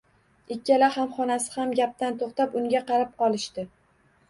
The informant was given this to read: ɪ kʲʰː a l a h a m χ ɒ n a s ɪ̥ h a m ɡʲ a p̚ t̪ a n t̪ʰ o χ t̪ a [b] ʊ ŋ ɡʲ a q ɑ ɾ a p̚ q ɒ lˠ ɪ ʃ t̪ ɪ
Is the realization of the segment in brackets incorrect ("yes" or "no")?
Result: yes